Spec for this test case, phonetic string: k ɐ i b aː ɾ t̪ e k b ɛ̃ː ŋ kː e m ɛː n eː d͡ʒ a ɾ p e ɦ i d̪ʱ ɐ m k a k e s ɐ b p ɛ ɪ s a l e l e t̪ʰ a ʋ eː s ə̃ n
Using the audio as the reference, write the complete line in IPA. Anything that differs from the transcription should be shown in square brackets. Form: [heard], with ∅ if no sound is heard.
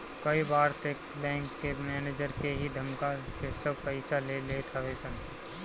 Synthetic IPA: k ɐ i b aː ɾ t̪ e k b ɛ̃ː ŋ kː e m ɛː n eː d͡ʒ [ə] ɾ [k] e ɦ i d̪ʱ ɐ m k a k e s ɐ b p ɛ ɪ s a l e l e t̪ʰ a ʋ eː s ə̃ n